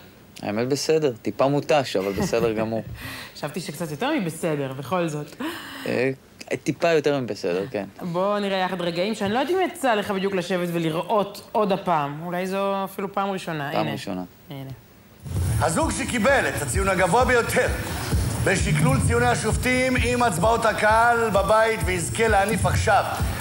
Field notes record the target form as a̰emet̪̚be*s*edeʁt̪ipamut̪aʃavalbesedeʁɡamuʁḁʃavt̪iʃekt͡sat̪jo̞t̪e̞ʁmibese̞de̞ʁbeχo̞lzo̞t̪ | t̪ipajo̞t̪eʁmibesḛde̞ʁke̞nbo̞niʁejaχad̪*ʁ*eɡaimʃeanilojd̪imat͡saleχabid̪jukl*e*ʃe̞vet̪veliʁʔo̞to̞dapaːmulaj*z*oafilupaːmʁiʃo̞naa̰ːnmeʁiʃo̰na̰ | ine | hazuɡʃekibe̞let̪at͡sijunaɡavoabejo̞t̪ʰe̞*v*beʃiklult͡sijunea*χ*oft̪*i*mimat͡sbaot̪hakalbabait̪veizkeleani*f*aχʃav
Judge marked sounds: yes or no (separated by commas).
yes, yes, no, yes, no, no, yes, yes